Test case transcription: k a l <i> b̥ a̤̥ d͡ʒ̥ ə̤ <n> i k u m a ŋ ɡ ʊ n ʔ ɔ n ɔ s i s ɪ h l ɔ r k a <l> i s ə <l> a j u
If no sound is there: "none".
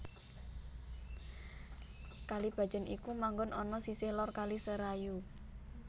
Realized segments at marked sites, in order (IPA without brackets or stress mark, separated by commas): i, n, l, ɾ